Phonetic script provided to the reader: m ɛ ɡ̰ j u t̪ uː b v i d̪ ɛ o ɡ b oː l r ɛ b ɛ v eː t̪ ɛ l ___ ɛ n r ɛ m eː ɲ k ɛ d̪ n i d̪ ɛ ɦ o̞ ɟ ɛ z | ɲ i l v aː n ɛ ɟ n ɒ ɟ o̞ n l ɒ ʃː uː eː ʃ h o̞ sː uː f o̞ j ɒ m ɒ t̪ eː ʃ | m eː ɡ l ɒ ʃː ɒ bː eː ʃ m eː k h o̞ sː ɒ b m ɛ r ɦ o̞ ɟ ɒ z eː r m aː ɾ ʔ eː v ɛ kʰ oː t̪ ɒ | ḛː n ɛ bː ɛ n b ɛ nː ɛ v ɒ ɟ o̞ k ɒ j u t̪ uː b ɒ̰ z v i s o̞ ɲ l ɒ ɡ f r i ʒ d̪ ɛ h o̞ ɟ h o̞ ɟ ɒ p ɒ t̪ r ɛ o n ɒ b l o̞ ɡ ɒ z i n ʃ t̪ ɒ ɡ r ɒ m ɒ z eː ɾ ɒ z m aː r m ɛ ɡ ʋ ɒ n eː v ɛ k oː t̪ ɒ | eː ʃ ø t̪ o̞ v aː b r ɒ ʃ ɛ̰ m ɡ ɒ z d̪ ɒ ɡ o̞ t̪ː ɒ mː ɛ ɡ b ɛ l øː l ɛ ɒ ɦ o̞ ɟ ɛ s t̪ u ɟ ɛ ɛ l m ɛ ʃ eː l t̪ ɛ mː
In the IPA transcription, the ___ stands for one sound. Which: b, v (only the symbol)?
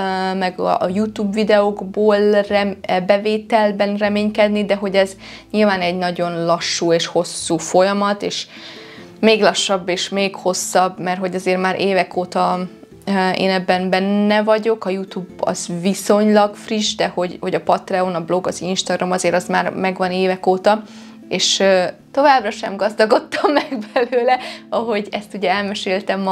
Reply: b